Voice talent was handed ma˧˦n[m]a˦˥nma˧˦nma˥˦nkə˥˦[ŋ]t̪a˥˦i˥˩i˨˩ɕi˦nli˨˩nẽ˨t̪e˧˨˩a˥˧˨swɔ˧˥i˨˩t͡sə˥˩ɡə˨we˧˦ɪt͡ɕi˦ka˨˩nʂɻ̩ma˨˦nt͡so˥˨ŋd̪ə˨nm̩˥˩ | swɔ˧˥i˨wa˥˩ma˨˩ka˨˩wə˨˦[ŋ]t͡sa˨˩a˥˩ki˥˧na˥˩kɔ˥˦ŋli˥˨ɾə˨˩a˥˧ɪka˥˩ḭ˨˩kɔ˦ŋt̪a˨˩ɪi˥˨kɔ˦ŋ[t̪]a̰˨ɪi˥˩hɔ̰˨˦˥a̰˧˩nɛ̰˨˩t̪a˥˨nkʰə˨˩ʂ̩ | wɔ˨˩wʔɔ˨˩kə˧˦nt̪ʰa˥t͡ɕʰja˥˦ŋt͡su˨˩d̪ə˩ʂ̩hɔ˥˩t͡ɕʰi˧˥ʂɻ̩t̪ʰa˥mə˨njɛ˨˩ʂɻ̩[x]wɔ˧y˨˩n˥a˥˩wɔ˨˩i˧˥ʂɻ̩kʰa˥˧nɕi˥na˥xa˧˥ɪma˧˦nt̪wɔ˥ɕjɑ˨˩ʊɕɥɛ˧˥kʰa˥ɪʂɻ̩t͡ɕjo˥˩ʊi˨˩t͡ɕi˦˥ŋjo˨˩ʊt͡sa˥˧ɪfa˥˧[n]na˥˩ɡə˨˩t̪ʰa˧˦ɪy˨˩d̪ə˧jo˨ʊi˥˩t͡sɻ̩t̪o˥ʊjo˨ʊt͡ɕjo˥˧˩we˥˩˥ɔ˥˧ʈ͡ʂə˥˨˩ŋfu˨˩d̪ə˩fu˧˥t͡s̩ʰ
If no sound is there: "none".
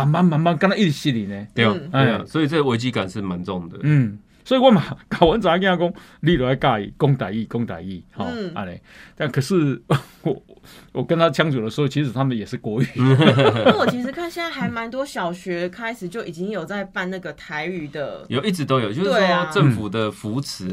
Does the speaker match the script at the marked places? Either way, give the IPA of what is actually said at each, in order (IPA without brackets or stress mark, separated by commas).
m, n, n, t̪, k, n